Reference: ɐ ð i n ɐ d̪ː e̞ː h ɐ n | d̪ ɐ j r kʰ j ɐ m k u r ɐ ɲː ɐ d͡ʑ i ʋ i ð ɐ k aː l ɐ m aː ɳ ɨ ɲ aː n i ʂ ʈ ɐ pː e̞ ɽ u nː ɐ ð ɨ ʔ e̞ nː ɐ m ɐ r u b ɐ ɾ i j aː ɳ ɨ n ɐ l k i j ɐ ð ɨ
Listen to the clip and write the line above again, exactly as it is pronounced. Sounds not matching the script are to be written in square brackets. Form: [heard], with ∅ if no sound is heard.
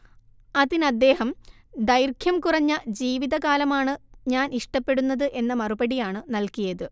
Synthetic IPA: ɐ ð i n ɐ d̪ː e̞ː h ɐ [m] | d̪ ɐ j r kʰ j ɐ m k u r ɐ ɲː ɐ d͡ʑ [iː] ʋ i ð ɐ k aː l ɐ m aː ɳ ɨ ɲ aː n i ʂ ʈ ɐ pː e̞ ɽ u nː ɐ ð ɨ ʔ e̞ nː ɐ m ɐ r u b ɐ [ɽ] i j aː ɳ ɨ n ɐ l k i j ɐ ð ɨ